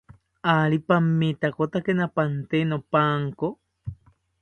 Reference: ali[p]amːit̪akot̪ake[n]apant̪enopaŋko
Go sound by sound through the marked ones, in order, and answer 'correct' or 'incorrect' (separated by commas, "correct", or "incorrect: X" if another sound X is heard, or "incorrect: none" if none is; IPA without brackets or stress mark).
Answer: correct, correct